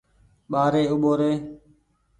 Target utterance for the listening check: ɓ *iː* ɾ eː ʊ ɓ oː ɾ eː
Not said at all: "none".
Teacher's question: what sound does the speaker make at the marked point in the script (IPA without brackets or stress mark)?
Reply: aː